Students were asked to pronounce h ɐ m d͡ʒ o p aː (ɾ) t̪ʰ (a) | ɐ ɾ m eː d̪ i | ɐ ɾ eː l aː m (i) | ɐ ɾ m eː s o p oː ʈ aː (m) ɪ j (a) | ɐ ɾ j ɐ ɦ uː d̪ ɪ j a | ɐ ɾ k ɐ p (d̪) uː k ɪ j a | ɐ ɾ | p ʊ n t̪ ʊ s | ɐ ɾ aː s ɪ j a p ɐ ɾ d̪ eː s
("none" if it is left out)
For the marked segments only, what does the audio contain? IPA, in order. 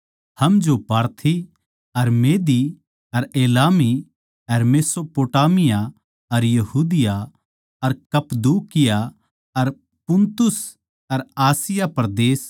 ɾ, i, i, m, a, d̪

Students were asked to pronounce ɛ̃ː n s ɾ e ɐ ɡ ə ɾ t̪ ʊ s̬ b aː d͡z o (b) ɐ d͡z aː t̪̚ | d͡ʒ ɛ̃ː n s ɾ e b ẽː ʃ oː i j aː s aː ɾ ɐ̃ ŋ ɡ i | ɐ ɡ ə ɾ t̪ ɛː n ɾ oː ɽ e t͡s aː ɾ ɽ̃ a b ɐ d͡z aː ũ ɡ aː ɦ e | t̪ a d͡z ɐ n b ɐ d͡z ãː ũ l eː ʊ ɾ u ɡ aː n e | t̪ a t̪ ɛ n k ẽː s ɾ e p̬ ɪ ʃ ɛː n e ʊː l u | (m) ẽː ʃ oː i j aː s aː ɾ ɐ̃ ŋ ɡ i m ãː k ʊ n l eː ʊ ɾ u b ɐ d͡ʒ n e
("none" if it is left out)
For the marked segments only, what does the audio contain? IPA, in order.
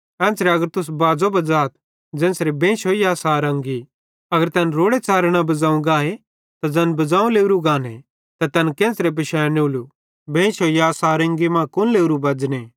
b, b

